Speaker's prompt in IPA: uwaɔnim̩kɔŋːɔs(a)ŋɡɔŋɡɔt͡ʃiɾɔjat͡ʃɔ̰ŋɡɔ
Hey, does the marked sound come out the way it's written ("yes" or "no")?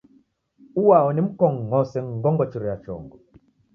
no